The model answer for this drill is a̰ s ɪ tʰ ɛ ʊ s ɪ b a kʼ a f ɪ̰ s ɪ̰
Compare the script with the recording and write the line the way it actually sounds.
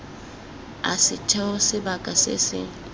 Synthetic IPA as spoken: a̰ s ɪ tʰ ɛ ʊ s ɪ b a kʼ a s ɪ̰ s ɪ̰